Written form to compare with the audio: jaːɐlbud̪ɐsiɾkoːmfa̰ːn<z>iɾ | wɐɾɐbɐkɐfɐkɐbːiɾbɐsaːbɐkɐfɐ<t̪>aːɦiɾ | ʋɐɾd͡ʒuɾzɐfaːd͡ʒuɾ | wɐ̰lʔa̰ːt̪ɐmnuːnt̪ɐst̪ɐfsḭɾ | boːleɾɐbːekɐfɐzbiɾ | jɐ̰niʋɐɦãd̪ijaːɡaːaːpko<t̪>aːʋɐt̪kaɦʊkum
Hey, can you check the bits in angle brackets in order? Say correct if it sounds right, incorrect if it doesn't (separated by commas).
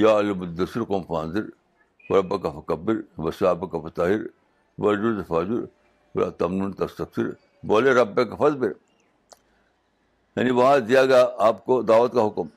correct, correct, incorrect